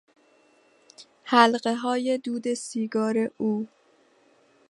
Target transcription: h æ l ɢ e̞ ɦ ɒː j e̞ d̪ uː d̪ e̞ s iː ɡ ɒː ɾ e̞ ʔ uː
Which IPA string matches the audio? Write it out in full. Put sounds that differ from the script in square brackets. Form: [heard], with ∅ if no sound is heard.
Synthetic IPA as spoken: h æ l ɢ e̞ ɦ ɒː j e̞ d̪ uː d̪ e̞ s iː ɡ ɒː ɾ e̞ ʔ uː